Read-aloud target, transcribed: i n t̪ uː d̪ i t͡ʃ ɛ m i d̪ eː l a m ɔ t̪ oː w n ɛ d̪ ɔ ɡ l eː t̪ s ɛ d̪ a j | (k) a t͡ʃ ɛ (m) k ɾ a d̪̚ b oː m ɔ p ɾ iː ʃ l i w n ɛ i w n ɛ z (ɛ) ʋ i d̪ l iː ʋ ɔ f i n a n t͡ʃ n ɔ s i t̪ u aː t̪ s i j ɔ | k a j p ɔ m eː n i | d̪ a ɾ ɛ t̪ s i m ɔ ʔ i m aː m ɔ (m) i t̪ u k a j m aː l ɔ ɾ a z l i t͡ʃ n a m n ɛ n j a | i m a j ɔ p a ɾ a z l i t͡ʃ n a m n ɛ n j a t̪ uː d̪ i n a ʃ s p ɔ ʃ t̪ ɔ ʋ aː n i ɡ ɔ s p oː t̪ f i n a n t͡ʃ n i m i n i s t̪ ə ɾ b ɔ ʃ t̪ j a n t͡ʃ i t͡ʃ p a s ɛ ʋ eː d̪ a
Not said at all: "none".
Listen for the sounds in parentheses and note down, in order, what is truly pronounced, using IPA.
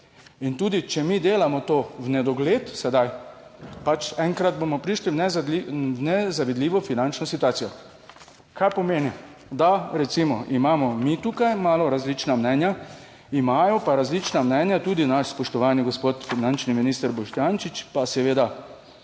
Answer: p, ŋ, a, m

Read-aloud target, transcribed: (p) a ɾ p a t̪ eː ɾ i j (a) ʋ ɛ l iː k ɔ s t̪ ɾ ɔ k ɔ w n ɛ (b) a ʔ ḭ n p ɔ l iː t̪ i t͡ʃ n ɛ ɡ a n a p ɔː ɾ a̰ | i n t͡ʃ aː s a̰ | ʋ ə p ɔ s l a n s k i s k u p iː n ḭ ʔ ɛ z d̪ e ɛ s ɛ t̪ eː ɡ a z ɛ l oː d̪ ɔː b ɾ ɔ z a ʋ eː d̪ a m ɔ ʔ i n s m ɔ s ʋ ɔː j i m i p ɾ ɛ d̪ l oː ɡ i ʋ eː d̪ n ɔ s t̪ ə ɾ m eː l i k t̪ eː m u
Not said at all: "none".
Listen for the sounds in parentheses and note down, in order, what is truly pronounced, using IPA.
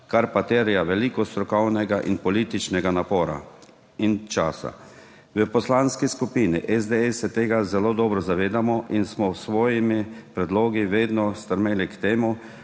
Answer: k, a, ɡ

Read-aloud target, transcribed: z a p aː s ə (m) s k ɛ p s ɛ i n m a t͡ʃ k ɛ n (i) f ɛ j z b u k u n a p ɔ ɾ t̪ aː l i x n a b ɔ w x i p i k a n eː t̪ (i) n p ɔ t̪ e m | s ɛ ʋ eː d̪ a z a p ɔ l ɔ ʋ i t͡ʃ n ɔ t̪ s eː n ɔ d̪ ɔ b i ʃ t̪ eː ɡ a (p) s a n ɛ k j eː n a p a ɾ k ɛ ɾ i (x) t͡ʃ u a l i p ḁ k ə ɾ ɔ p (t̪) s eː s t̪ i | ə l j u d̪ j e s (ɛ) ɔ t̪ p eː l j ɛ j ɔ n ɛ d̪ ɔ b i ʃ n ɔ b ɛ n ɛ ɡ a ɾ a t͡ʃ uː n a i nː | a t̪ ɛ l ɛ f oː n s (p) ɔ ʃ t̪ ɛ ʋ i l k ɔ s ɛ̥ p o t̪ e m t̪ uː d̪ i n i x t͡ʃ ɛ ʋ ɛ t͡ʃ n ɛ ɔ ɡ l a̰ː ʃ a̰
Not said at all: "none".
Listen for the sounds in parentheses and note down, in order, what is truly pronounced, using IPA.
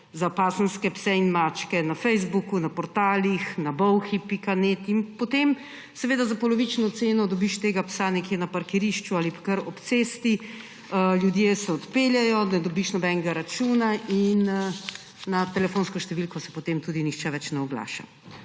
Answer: n, a, i, p, ʃ, t̪, ɛ, k

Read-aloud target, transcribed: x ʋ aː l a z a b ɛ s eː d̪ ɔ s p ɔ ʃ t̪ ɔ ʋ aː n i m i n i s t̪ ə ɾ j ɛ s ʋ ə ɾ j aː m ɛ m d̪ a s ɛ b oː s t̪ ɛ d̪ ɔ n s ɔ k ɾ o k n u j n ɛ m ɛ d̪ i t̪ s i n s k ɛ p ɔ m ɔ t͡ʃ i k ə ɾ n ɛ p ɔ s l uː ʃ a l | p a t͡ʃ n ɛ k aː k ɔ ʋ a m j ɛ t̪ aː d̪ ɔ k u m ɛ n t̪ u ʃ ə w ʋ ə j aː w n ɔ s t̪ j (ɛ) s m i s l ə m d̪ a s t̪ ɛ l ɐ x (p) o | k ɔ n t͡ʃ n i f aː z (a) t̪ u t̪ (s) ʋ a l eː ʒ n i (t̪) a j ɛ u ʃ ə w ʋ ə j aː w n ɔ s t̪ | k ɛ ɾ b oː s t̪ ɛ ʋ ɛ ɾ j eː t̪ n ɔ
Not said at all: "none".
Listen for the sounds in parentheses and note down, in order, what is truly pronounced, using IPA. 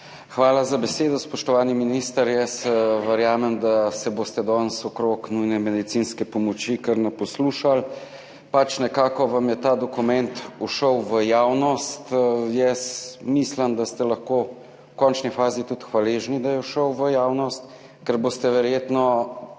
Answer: ɛ, k, i, x, d̪

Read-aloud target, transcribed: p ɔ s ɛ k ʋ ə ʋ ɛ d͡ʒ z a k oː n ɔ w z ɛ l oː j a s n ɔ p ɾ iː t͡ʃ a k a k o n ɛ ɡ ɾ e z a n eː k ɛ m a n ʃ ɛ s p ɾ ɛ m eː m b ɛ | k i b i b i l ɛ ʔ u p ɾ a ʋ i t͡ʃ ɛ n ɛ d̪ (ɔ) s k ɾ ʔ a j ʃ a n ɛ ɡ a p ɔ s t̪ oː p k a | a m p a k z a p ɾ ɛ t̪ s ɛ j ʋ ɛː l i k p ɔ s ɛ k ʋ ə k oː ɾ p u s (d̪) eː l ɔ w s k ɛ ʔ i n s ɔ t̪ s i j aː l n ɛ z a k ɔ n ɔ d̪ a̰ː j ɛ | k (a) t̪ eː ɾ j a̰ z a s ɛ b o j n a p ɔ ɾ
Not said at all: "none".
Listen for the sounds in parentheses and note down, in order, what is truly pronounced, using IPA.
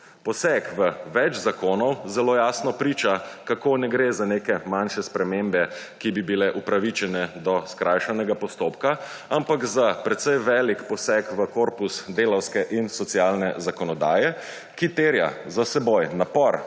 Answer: ɔ, d̪, i

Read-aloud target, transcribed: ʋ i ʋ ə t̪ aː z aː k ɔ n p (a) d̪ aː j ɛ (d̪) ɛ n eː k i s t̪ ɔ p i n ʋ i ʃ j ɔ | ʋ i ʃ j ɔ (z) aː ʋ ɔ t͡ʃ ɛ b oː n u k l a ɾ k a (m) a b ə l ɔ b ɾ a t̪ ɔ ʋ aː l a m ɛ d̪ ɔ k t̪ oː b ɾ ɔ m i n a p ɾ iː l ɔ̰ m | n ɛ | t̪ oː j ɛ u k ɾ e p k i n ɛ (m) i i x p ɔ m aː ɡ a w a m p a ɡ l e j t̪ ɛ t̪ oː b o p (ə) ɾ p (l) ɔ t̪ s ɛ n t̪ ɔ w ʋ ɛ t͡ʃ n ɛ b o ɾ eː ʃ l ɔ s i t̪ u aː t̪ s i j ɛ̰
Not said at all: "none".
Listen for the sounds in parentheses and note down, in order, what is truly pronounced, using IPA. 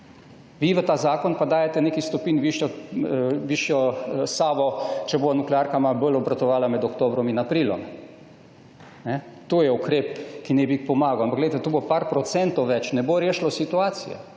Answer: a, t̪, s, m, b, a, ɾ

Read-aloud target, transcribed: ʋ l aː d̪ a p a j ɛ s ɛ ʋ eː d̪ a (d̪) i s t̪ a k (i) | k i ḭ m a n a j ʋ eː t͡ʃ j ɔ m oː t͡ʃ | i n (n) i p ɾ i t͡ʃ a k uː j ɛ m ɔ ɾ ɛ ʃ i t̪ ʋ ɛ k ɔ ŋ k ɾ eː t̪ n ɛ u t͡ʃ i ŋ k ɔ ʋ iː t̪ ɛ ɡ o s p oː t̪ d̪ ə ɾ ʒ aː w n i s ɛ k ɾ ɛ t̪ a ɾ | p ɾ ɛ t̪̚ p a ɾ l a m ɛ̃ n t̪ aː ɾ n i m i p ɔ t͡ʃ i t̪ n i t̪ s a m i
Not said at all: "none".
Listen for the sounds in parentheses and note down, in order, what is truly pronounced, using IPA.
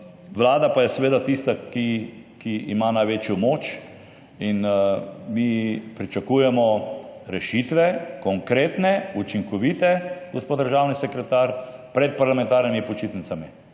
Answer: t̪, i, m

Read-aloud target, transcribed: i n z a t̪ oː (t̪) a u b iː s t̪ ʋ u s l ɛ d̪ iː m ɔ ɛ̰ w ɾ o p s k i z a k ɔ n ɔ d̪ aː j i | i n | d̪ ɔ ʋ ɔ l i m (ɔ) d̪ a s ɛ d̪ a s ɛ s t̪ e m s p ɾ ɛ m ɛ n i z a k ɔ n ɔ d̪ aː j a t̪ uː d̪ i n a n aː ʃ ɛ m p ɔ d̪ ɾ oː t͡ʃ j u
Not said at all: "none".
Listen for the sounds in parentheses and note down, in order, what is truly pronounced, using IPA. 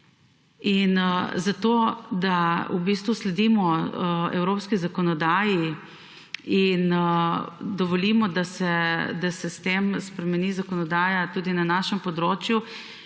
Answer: d̪, ɔ

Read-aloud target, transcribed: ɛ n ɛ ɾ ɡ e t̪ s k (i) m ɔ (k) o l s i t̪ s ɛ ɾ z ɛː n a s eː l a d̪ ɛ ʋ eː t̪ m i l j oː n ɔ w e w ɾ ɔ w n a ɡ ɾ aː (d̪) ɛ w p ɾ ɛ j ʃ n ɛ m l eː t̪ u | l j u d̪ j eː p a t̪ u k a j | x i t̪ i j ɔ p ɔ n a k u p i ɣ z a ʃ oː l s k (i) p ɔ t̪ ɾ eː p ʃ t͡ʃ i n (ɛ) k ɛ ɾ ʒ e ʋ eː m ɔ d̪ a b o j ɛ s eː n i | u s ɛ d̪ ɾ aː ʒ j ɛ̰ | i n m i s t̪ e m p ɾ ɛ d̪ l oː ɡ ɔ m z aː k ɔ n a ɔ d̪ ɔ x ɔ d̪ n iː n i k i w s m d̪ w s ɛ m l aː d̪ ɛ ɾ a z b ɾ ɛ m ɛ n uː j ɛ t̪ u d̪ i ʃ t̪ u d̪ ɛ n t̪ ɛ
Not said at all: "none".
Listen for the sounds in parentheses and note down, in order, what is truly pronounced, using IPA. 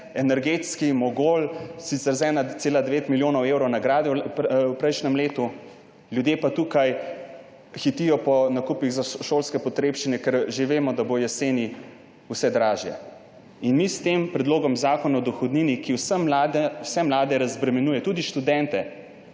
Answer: i, ɡ, d̪, ɛ, ɛ

